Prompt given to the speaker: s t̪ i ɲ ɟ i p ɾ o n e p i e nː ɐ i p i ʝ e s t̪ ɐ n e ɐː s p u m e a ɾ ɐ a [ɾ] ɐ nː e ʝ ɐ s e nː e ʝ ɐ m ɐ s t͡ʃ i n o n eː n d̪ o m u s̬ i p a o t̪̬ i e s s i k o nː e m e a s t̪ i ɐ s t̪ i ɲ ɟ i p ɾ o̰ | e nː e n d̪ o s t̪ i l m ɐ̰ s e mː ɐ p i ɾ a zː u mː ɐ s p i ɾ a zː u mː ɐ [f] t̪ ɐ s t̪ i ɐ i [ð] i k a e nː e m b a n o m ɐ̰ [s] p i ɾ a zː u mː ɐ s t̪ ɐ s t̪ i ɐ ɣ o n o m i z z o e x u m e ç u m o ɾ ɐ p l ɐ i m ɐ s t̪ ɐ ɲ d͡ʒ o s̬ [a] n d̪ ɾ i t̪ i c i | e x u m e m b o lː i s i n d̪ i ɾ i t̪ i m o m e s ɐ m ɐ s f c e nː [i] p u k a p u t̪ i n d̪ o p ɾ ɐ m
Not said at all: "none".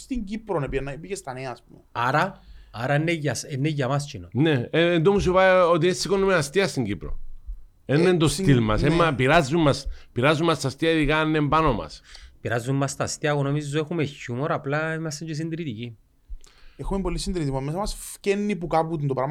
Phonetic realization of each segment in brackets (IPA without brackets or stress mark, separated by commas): ɾ, s, ð, s, i, i